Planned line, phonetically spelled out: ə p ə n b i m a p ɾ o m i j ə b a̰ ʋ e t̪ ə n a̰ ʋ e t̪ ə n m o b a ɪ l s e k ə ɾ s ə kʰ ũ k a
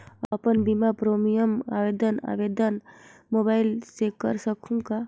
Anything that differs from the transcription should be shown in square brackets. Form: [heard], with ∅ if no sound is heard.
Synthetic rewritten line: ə p ə n b i m a p ɾ o m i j ə [m] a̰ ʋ e [d̪] ə n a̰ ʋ e [d̪] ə n m o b a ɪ l s e k ə ɾ s ə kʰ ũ k a